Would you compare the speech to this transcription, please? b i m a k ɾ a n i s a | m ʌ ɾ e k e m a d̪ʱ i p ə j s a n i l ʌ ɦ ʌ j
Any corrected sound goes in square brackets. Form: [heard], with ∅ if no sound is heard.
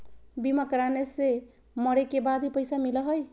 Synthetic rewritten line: b i m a k ɾ a n [e] s [e] | m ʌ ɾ e k e [b] a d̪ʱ i p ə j s a [m] i l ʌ ɦ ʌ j